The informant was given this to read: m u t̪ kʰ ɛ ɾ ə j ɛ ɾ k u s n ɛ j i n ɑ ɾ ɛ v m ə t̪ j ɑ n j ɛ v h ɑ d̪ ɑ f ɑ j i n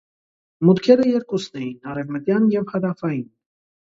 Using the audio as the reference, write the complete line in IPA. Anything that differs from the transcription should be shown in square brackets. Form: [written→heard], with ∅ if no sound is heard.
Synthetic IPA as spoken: m u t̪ kʰ ɛ ɾ ə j ɛ ɾ k u s n ɛ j i n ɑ ɾ ɛ v m ə t̪ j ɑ n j ɛ v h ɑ d̪ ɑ f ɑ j i n